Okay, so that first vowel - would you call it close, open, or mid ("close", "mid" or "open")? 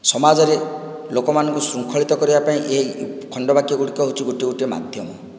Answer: mid